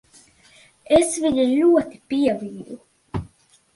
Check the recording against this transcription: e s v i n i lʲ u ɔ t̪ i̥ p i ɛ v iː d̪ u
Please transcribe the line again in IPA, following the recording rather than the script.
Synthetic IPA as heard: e s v i ɲ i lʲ u ɔ t̪ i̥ p i ɛ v iː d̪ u

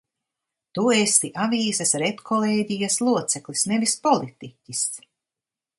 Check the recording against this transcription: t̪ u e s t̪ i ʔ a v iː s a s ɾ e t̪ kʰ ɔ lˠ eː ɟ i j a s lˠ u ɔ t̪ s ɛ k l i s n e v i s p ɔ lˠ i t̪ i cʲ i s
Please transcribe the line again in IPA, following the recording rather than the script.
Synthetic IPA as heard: t̪ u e s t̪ i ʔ a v iː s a s ɾ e t̪ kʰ ɔ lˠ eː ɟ i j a s lˠ u ɔ t̪ s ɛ k l i s n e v i s p ɔ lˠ i t̪ i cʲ i s

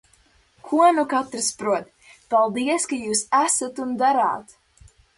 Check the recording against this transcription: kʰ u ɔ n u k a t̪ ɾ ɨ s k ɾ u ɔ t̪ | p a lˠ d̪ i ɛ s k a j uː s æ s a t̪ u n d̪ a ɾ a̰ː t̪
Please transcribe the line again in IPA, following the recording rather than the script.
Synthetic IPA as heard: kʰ u ɔ n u k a t̪ ɾ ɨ s p ɾ u ɔ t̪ | p a lˠ d̪ i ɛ s k a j uː s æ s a t̪ u n d̪ a ɾ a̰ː t̪

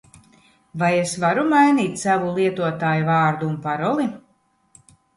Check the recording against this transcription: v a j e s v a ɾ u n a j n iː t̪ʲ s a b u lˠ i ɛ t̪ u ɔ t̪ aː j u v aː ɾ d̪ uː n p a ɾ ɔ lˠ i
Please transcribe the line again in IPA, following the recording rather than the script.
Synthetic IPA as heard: v a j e s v a ɾ u m a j n iː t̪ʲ s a v u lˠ i ɛ t̪ u ɔ t̪ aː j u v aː ɾ d̪ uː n p a ɾ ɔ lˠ i

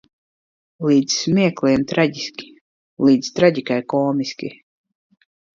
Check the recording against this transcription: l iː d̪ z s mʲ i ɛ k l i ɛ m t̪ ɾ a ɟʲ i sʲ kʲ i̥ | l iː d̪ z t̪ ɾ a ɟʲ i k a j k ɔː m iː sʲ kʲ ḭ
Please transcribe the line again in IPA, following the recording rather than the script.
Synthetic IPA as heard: l iː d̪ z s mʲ i ɛ k l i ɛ m t̪ ɾ a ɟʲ i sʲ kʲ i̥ | l iː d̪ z t̪ ɾ a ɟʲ i k a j k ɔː m i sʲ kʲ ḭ

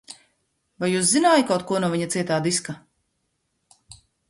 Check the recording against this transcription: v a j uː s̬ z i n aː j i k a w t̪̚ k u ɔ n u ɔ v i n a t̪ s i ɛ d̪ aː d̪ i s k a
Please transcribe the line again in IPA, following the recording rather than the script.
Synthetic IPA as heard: v a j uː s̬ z i n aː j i k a w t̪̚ k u ɔ n u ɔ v i ɲ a t̪ s i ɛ t̪ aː d̪ i s k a

